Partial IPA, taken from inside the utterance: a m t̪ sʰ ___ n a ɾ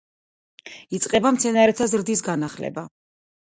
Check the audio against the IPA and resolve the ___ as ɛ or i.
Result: ɛ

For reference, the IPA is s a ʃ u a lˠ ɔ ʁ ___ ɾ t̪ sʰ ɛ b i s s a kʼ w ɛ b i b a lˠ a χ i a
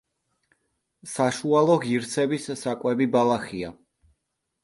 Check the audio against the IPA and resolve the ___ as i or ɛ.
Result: i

